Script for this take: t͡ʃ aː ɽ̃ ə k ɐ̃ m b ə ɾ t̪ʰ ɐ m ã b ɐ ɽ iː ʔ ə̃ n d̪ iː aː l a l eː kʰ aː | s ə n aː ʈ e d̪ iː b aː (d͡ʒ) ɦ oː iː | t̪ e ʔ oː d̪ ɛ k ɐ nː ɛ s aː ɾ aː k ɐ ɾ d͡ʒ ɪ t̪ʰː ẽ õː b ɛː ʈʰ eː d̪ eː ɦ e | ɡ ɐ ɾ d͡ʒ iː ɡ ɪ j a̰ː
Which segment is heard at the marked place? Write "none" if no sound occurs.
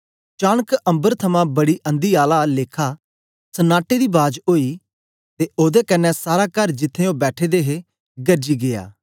d͡ʒ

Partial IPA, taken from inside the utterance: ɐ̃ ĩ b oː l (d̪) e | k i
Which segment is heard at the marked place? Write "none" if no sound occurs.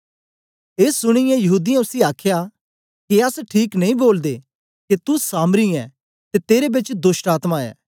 d̪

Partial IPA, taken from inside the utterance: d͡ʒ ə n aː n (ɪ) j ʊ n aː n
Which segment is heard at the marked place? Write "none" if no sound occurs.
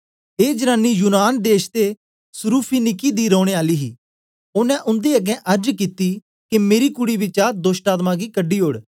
i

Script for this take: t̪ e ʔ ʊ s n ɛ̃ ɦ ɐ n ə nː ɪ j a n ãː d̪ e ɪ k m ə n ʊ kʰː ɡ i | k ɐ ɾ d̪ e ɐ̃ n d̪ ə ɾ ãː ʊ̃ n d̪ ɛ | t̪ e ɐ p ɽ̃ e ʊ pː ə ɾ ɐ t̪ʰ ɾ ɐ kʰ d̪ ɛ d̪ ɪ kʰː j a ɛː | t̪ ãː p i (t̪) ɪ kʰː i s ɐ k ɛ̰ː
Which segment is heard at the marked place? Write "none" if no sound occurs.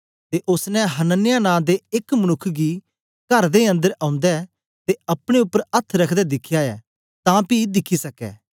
d̪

